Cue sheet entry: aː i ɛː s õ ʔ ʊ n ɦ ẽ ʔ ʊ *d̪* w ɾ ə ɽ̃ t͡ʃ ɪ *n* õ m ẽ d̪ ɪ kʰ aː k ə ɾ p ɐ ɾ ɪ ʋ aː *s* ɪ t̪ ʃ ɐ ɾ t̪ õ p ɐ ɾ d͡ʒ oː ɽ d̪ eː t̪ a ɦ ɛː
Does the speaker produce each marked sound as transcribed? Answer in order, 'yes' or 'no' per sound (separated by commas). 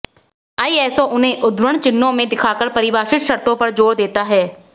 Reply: yes, no, no